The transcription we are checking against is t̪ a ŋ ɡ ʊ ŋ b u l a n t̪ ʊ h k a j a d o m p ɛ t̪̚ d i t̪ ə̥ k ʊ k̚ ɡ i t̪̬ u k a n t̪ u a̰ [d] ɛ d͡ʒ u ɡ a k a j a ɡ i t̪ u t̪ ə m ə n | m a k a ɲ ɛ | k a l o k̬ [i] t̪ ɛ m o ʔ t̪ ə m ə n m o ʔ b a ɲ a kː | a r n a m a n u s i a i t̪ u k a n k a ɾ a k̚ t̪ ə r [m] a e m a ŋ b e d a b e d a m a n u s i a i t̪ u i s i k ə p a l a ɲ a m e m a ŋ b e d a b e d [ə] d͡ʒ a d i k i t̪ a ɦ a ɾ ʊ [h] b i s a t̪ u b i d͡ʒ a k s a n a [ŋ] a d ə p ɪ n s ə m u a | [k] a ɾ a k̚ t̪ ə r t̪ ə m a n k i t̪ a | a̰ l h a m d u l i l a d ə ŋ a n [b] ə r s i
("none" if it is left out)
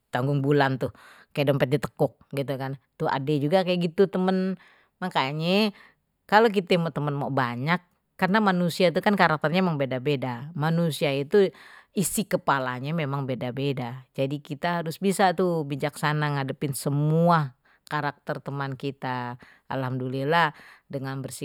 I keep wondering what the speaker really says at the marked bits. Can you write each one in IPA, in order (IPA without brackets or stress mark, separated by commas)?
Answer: d, i, ɲ, a, s, ŋ, k, b